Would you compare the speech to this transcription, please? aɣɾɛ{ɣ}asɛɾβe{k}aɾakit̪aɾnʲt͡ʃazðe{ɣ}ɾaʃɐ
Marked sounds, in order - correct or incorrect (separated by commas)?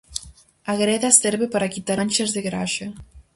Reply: incorrect, incorrect, correct